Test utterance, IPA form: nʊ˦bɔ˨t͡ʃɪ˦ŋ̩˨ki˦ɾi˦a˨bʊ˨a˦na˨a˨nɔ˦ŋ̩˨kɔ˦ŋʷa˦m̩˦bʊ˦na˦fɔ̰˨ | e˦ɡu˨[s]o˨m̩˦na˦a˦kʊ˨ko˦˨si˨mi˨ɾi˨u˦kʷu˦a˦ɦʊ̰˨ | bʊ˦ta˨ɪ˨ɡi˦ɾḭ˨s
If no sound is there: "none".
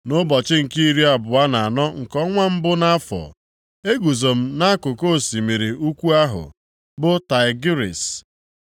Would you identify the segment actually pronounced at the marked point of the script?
z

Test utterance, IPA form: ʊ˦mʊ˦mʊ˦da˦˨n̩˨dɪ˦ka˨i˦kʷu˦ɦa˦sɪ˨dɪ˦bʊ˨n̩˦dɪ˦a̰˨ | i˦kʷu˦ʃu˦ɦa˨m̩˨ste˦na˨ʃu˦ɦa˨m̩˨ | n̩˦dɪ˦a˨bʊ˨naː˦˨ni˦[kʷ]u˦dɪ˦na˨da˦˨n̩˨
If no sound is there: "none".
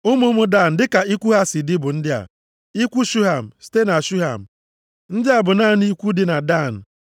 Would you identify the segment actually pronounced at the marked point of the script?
kʷ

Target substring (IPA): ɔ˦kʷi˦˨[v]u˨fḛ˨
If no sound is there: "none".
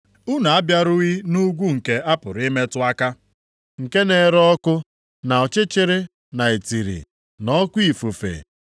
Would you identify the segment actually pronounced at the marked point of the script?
f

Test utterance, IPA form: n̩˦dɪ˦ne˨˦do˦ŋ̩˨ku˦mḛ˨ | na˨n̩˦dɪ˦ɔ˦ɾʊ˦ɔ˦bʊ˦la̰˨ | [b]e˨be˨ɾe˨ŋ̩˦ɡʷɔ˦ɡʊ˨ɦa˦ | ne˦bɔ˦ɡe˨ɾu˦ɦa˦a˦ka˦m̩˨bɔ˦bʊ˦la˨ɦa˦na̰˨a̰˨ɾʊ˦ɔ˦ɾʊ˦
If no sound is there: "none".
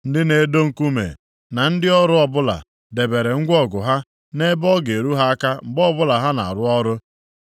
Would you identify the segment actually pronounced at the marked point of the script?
d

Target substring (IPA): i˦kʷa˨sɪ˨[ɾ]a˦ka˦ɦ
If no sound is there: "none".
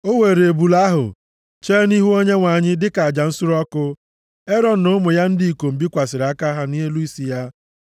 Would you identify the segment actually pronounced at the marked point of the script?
ɾ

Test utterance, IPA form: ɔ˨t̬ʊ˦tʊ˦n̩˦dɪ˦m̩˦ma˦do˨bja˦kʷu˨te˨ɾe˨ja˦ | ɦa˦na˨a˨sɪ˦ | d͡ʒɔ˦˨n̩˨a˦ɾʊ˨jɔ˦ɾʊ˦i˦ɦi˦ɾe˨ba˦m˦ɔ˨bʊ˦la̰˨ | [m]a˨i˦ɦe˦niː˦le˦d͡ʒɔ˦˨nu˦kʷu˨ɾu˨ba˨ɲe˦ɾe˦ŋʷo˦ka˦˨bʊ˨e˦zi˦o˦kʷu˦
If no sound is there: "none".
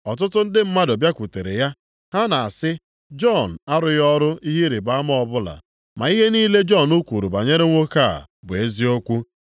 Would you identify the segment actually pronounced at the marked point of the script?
m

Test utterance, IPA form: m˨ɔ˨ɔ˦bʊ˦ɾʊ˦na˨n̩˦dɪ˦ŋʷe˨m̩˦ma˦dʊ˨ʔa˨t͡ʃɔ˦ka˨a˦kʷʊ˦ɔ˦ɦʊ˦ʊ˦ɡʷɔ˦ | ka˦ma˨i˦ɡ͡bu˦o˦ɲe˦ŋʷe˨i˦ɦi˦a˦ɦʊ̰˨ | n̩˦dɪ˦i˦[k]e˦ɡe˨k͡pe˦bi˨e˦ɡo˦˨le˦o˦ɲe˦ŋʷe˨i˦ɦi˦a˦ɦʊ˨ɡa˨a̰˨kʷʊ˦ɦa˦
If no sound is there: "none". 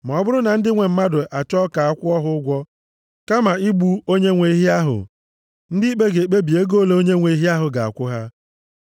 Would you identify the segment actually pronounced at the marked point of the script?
k͡p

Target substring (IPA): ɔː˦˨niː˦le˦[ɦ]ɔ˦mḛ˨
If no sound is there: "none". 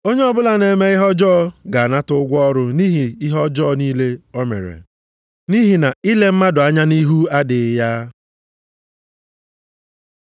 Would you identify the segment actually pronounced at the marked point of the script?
none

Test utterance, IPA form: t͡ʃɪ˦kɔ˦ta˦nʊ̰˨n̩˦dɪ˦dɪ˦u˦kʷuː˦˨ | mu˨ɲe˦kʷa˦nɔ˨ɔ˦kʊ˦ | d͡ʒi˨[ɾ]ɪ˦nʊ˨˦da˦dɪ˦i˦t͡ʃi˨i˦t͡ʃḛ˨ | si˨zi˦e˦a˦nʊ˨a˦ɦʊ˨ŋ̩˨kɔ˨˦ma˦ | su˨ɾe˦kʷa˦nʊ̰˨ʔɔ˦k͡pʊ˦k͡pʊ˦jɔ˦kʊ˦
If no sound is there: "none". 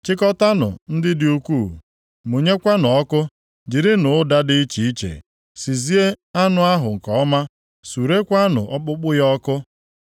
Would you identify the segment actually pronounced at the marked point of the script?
ɾ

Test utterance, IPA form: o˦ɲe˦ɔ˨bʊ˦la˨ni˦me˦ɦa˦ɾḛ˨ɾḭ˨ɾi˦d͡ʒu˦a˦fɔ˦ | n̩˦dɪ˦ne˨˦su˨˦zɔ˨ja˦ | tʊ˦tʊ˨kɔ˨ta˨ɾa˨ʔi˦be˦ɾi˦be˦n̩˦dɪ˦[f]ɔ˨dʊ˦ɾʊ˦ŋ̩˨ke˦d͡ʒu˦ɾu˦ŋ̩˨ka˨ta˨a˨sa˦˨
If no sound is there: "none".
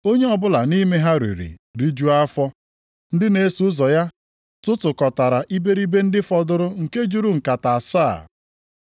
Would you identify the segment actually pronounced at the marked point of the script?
f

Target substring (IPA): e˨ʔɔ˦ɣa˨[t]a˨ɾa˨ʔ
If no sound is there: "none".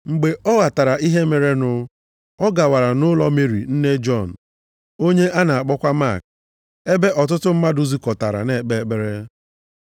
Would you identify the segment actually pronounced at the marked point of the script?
t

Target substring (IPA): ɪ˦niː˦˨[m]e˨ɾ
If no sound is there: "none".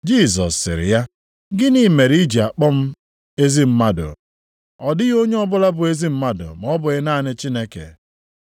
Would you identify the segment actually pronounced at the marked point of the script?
m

